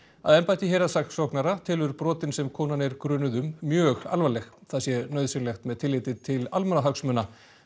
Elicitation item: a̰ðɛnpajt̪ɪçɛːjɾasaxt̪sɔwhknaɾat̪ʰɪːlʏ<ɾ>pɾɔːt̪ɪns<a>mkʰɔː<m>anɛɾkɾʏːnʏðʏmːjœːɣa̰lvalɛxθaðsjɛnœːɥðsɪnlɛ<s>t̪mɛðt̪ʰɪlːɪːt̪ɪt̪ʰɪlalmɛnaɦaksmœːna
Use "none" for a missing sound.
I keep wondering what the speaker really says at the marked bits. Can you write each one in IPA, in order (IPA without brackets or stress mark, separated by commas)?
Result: ɾ, ɛ, n, x